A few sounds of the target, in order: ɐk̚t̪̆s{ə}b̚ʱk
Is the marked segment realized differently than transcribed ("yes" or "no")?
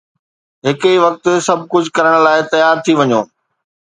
yes